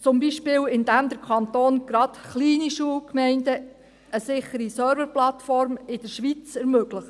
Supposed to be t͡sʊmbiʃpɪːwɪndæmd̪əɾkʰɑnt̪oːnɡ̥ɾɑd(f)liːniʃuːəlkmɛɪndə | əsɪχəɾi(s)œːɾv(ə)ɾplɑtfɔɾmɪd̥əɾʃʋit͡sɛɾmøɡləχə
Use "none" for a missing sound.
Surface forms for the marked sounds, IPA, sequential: χ, s, ə

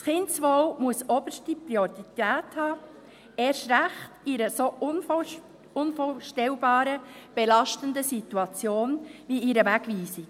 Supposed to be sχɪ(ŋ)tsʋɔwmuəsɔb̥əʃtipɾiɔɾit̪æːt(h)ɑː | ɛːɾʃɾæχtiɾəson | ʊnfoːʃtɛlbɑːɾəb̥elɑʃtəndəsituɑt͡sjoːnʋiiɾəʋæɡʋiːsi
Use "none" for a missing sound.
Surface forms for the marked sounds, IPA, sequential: n, h

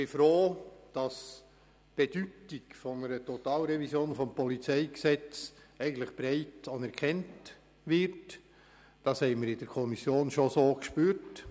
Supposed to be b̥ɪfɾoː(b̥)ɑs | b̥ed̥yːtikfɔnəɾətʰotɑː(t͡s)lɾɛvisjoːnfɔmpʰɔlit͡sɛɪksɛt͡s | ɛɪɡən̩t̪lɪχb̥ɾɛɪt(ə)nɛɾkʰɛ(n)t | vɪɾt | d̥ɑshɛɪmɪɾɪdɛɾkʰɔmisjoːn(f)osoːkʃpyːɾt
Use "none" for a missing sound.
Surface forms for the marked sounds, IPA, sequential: d̥, none, ɑ, n, ʃ

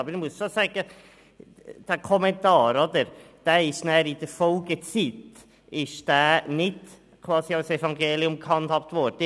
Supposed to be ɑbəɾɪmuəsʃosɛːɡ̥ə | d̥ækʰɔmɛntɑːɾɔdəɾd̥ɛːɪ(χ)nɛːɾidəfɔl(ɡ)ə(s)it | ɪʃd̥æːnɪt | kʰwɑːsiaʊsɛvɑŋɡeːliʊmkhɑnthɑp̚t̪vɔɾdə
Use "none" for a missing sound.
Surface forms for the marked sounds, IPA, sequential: ʃ, ɡ, t͡s

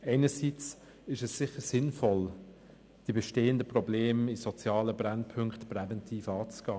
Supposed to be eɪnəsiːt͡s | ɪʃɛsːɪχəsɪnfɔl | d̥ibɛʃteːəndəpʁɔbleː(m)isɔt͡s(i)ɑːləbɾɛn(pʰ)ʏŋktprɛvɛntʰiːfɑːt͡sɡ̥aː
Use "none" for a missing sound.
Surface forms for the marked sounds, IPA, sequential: m, j, pʰ

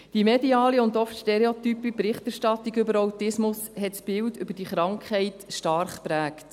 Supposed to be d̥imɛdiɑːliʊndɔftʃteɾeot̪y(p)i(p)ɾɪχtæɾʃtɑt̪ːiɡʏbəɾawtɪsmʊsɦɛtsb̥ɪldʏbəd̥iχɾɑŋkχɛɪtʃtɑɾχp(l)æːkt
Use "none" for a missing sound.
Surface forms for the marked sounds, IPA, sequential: p, p, ɾ

